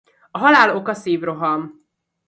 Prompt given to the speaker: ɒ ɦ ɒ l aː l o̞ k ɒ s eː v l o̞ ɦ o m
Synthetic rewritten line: ɒ ɦ ɒ l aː l o̞ k ɒ s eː v r o̞ ɦ ɒ m